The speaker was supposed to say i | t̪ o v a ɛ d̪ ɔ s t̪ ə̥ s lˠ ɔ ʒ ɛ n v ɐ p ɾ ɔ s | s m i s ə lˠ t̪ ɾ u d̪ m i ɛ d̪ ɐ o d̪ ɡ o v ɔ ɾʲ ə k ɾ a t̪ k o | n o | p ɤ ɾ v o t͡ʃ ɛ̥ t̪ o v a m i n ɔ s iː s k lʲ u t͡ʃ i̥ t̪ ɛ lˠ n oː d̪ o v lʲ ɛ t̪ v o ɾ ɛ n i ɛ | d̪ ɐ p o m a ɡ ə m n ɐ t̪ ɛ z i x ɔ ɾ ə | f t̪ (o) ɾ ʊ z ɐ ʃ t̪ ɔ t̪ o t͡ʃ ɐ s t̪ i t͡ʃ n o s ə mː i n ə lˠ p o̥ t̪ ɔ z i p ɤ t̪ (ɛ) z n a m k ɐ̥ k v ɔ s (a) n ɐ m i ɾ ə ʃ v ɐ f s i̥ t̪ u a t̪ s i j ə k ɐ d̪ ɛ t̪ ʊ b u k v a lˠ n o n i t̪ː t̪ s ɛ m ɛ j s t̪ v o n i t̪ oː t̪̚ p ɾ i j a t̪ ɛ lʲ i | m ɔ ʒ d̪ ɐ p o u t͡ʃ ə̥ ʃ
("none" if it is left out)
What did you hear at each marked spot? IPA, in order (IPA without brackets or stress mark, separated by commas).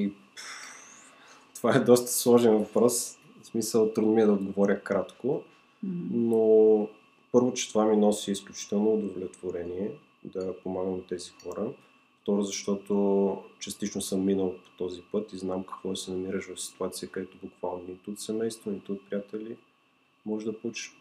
ɔ, i, ɛ